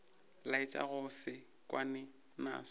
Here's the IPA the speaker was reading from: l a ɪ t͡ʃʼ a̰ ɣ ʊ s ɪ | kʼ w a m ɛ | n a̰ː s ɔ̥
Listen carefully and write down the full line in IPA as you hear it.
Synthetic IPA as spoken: l a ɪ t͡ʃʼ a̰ ɣ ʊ s ɪ | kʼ w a n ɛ | n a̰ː s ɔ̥